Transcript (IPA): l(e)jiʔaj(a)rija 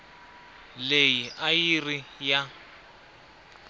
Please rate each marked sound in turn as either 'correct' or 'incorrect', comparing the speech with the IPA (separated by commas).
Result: correct, incorrect